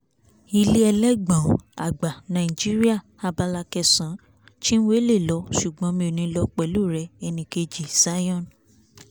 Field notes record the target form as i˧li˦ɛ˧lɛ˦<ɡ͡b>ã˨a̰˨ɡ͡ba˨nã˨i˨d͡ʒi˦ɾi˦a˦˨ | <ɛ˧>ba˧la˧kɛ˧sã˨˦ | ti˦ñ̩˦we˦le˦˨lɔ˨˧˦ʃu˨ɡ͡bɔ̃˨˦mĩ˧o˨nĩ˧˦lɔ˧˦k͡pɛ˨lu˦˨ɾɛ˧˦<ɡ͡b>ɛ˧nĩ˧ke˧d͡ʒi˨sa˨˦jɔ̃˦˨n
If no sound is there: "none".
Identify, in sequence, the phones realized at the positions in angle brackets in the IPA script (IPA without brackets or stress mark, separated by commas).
ɡ͡b, a˧, none